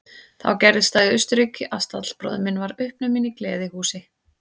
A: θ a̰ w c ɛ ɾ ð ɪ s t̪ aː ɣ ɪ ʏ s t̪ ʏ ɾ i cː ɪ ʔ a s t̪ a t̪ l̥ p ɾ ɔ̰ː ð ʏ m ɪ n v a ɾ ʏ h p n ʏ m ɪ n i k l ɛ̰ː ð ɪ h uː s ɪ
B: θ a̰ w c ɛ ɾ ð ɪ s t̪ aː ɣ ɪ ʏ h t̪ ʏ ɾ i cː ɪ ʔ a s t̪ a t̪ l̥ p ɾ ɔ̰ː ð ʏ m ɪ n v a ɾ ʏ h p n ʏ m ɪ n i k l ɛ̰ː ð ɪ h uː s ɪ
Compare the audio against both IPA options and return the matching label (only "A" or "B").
A